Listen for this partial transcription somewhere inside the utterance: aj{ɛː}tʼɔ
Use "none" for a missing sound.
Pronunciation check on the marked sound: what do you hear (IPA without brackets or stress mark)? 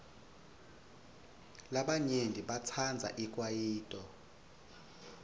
iː